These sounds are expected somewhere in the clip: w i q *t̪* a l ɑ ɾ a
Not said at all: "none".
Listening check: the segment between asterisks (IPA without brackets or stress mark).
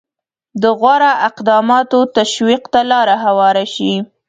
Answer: t̪